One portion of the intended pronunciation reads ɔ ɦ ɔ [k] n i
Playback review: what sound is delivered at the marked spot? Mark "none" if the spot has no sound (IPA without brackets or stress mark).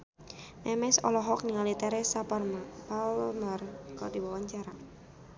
k